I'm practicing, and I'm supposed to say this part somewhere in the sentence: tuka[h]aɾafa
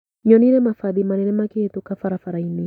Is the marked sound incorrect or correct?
incorrect: f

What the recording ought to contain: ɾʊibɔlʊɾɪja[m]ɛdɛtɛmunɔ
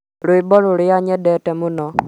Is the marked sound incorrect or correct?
incorrect: ɲ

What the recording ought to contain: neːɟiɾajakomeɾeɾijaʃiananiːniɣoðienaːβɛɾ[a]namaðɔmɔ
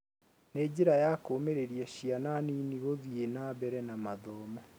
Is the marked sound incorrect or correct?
incorrect: ɛ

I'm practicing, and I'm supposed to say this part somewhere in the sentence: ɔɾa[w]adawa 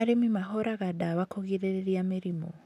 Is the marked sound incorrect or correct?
incorrect: ɣ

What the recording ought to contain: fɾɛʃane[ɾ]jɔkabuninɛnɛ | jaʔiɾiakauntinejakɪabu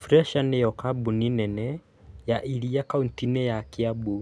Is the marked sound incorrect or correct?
incorrect: none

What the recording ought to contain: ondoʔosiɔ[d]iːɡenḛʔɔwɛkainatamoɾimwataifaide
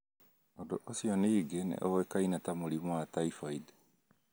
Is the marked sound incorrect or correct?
incorrect: n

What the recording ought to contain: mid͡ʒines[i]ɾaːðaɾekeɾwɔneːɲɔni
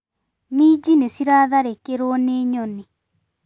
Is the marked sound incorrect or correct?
correct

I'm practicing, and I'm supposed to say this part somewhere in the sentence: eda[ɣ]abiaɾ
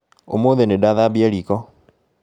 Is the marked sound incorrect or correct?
incorrect: ð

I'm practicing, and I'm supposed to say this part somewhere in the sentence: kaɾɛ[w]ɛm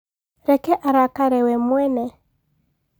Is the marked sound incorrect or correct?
correct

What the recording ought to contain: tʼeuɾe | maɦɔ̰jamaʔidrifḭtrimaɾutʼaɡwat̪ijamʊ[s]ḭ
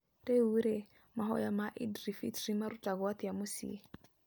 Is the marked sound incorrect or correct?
correct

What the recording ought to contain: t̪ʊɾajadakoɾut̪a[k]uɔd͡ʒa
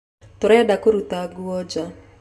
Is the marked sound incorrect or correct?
incorrect: ɡ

